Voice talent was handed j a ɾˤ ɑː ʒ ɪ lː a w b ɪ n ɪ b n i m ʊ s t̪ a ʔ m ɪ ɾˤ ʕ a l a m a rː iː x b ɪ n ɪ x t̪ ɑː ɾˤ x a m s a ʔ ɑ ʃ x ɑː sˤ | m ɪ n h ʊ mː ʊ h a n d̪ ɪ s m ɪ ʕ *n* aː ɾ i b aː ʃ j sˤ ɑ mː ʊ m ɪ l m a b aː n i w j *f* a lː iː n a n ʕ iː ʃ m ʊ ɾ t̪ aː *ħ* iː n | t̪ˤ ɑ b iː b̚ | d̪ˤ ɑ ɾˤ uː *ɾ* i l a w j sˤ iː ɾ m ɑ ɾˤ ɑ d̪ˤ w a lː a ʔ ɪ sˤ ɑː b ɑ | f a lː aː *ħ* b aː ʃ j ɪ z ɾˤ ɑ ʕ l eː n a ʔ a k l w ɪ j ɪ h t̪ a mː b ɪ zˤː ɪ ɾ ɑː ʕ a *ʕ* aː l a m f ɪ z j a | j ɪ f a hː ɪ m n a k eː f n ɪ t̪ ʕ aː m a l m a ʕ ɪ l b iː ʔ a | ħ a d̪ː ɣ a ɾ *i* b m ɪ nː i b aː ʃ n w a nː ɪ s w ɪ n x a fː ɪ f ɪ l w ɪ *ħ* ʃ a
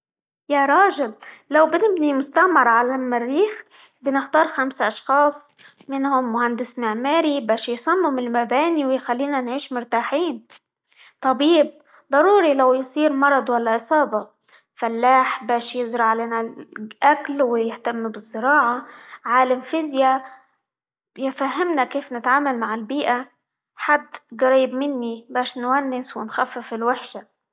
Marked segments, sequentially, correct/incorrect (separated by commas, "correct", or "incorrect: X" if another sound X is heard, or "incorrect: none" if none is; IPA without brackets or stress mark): incorrect: m, incorrect: x, correct, correct, correct, correct, incorrect: iː, correct